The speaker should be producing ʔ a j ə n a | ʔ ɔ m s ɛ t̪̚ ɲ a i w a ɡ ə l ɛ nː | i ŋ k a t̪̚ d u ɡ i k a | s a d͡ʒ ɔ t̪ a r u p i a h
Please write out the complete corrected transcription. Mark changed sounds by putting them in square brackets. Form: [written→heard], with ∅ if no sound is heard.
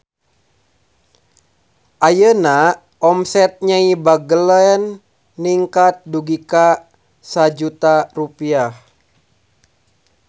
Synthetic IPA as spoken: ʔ a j ə n a | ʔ ɔ m s ɛ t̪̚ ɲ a i [w→b] a ɡ ə l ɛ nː | i ŋ k a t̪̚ d u ɡ i k a | s a d͡ʒ [ɔ→u] t̪ a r u p i a h